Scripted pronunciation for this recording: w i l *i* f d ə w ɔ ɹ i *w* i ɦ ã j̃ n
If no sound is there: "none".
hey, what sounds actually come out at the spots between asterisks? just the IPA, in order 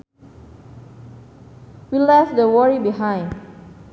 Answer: ɛ, b

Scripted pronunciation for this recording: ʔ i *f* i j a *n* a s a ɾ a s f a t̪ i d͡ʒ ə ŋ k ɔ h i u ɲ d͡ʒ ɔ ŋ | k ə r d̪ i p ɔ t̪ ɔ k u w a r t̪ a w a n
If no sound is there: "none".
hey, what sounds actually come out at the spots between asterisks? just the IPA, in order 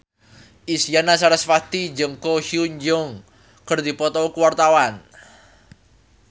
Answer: s, n

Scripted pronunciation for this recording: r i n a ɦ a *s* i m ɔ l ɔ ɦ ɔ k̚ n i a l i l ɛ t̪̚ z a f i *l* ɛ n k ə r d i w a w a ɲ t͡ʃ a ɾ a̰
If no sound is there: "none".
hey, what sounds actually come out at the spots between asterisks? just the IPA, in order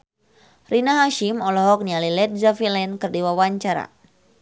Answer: ʃ, l

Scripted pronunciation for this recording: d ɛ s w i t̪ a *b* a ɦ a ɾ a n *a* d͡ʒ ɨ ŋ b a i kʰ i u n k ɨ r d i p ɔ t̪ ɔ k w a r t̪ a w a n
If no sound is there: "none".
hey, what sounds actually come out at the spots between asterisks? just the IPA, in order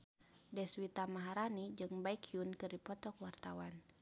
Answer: m, i

